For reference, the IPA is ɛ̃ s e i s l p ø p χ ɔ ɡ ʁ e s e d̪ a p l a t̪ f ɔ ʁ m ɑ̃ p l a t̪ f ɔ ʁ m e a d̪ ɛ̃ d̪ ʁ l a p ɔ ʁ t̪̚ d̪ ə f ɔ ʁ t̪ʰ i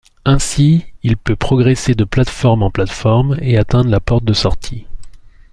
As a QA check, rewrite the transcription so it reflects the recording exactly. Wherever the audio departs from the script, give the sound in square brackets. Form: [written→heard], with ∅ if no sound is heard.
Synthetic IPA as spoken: ɛ̃ s [e→i] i [s→∅] l p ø p χ ɔ ɡ ʁ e s e d̪ [a→ə] p l a t̪ f ɔ ʁ m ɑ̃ p l a t̪ f ɔ ʁ m e a [d̪→t̪] ɛ̃ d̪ ʁ l a p ɔ ʁ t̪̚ d̪ ə [f→s] ɔ ʁ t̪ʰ i